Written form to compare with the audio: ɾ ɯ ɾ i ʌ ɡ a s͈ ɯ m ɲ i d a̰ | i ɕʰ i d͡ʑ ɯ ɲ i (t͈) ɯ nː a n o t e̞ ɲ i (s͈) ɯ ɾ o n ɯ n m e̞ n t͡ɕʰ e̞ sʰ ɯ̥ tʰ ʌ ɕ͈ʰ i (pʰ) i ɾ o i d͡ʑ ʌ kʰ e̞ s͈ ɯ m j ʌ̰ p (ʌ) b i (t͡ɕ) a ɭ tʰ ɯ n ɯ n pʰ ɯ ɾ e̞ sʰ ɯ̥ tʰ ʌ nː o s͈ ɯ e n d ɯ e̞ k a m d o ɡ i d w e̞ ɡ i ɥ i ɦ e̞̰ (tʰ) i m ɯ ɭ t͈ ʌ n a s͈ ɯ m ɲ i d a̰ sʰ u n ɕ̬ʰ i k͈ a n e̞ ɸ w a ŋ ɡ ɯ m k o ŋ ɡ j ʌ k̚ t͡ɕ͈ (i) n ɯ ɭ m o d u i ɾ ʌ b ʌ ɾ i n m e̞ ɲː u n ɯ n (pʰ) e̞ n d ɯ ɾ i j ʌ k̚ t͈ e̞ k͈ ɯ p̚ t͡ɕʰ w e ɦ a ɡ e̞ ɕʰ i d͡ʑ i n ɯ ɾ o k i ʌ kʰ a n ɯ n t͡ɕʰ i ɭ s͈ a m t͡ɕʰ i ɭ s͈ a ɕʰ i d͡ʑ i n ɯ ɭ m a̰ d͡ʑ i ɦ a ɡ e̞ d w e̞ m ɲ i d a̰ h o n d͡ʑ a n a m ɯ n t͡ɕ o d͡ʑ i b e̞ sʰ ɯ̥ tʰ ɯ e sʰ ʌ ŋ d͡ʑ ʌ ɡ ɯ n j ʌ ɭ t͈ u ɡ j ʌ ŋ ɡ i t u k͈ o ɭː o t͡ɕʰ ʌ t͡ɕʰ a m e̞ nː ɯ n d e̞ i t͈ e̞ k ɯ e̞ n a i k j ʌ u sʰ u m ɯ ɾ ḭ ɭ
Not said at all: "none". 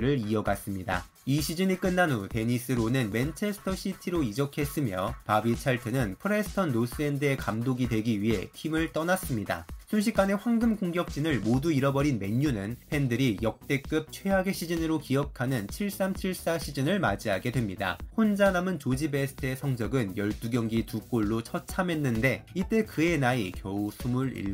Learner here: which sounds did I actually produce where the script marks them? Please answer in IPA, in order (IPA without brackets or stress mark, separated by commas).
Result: k͈, s͈, tʰ, a, t͡ɕʰ, tʰ, i, pʰ